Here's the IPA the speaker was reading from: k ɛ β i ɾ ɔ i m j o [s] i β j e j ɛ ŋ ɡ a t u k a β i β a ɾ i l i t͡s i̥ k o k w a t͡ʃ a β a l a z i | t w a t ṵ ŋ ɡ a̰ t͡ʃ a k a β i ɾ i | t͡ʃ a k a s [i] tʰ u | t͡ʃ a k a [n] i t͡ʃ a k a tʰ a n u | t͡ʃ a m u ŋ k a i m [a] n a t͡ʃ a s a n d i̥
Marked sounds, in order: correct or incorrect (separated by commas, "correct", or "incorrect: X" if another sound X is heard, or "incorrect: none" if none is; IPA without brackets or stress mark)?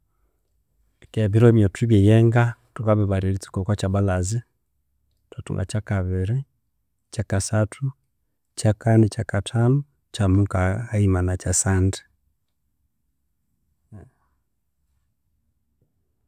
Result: incorrect: t, incorrect: a, correct, correct